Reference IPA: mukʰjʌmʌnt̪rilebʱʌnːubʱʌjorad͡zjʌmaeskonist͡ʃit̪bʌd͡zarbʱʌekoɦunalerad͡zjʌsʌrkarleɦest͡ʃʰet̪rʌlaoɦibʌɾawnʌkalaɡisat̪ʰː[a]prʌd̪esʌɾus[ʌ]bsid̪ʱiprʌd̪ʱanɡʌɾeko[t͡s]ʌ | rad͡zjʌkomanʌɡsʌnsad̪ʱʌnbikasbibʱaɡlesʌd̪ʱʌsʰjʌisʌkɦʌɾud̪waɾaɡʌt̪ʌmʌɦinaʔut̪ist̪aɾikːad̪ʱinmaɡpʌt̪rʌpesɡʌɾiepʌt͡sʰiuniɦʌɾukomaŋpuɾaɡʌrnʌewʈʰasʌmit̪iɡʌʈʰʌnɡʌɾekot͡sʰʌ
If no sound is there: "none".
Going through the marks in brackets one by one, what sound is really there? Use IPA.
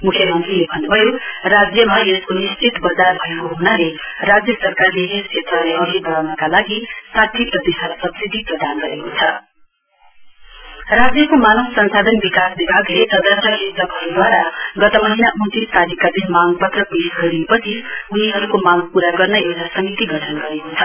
i, ʌ, t͡sʰ

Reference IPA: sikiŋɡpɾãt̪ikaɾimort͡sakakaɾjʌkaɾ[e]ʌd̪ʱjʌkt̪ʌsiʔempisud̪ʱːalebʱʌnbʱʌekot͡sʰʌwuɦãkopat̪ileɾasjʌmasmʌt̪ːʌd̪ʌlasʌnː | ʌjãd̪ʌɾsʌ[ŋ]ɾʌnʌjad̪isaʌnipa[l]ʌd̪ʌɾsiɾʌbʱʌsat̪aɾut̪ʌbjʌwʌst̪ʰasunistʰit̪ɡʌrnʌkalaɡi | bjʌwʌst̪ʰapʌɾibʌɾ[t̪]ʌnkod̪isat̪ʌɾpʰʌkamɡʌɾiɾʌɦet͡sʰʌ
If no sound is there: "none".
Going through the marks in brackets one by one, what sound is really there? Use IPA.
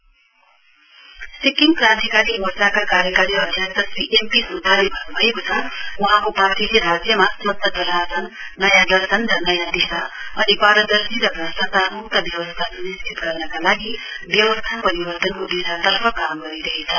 i, n, ɾ, t̪

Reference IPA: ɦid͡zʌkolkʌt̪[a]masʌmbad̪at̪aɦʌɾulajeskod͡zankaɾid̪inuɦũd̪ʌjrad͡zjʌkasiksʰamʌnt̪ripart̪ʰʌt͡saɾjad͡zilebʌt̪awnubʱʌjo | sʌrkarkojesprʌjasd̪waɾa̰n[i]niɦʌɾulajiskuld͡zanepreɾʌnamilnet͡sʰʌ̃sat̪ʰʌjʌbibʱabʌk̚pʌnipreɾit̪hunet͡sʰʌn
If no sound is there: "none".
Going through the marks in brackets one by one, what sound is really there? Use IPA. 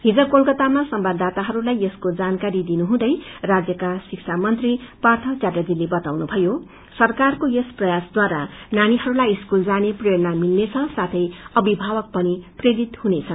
a, a

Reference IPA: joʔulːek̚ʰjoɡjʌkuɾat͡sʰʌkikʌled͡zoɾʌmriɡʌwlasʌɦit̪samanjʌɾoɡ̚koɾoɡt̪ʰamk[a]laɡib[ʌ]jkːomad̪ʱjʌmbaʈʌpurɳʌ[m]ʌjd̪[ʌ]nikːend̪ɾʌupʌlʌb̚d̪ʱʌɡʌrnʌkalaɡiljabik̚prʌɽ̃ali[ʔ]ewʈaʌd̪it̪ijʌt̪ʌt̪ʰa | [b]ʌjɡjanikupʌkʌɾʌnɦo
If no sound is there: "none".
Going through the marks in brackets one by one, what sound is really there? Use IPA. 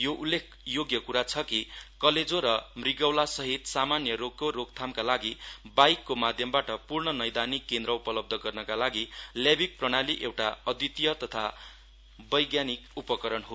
a, a, n, a, ʔ, b

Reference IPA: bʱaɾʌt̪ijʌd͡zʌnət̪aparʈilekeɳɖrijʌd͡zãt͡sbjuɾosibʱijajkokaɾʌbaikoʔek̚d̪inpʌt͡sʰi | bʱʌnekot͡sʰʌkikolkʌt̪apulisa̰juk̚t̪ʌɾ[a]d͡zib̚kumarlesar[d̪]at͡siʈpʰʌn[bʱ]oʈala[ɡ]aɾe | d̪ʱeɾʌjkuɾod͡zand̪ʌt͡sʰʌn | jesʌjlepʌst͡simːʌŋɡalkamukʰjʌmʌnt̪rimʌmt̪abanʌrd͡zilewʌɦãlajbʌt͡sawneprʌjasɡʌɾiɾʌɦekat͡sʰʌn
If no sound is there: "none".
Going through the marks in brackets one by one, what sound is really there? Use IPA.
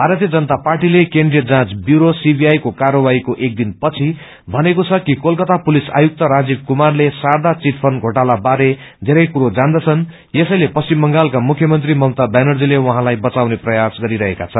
a, d̪, ɡʱ, b

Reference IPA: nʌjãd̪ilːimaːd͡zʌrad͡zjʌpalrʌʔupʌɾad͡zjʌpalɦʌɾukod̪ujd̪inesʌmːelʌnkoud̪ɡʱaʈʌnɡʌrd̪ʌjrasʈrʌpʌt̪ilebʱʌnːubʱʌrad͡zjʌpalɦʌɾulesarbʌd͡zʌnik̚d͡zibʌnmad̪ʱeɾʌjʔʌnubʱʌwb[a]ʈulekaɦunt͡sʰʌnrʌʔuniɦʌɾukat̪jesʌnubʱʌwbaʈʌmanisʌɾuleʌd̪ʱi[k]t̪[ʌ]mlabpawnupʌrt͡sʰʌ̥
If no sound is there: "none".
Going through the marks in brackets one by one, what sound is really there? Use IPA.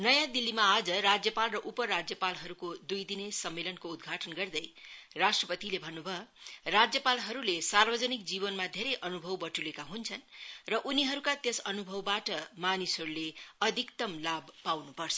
ʌ, k, ʌ

